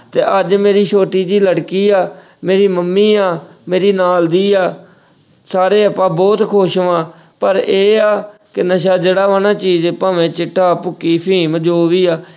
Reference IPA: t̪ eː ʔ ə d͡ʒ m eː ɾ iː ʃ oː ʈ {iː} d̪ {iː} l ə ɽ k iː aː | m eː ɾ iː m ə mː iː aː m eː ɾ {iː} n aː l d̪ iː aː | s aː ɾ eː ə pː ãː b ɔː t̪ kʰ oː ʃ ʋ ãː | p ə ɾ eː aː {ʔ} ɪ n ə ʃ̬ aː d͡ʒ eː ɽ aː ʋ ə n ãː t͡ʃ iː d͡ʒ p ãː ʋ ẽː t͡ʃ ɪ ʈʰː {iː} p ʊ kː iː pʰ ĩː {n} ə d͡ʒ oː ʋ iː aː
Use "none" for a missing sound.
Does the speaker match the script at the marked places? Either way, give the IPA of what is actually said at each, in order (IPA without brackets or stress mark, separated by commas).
iː, iː, iː, k, aː, m